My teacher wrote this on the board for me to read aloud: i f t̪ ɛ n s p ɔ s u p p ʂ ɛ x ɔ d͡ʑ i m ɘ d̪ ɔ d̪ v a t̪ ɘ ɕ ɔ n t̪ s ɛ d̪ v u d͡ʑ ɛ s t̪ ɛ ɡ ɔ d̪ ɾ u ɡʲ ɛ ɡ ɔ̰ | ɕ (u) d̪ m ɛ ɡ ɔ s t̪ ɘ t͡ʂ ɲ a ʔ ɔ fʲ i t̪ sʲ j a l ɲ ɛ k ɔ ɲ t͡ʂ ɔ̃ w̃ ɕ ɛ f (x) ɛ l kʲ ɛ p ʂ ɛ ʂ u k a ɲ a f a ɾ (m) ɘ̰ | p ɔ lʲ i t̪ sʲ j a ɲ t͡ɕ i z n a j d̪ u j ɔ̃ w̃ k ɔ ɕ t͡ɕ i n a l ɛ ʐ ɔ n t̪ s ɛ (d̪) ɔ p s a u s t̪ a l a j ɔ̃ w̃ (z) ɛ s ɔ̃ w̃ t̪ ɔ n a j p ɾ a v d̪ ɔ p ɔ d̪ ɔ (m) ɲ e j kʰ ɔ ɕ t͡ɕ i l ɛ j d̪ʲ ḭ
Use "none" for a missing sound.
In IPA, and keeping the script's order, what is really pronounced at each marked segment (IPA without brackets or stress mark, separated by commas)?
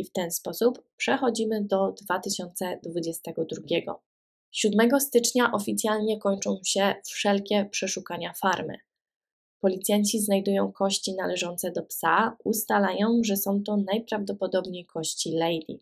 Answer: u, ʂ, m, d̪, ʐ, b